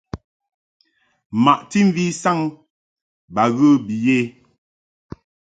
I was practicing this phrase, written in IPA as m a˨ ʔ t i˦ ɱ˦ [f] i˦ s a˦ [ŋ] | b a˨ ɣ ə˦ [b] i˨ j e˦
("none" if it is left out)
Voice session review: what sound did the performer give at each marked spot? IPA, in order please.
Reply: v, ŋ, b

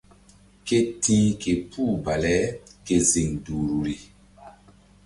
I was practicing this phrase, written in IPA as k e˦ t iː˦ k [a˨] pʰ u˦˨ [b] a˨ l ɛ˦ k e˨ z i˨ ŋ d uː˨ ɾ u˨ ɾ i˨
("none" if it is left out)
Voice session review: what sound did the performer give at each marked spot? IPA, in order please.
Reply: e˨, b

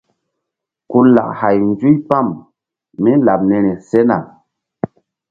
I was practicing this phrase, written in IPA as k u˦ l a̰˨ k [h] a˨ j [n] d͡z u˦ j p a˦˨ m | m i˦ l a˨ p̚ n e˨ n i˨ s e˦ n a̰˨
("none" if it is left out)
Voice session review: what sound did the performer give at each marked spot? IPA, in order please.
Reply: h, n

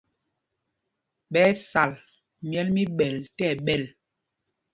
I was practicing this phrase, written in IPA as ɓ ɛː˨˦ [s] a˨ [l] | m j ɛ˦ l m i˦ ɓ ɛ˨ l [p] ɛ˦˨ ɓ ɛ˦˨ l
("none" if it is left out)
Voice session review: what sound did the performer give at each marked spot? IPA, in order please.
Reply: s, l, t

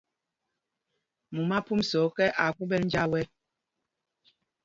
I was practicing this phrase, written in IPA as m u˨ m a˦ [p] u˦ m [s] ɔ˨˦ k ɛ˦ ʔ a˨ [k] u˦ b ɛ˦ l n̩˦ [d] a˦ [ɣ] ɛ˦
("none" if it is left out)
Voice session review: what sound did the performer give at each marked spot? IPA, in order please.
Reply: p, s, k, d͡ʒ, w

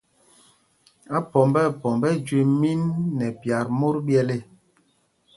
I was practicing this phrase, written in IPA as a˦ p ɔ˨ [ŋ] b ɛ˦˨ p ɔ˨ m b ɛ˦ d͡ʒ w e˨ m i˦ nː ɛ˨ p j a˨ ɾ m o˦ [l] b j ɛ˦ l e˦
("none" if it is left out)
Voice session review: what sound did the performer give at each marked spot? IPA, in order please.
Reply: m, ɾ

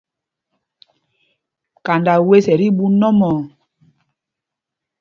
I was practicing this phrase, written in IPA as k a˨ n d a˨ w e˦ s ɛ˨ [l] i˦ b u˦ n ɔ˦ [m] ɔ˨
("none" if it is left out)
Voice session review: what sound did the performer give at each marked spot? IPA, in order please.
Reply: ɾ, m

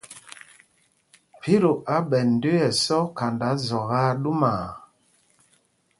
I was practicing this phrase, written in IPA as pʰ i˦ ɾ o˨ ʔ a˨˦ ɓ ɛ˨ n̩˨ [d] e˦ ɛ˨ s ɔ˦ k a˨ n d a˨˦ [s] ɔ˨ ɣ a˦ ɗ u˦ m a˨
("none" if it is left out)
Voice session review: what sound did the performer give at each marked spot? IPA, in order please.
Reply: d, z

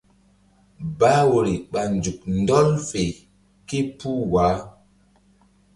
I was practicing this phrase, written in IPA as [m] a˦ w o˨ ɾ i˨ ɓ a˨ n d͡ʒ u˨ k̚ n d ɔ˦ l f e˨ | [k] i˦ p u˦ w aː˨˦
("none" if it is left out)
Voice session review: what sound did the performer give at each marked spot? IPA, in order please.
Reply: b, k

